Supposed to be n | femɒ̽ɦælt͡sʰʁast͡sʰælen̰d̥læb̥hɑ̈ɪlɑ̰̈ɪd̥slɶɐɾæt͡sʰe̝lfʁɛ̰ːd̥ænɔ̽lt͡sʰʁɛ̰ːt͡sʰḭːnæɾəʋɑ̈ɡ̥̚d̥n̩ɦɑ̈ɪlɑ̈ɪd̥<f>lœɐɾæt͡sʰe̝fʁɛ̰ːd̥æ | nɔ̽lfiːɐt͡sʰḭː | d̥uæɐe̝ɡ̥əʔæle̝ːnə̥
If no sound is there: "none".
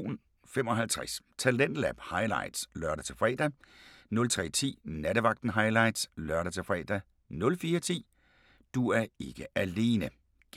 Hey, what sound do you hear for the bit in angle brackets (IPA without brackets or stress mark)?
s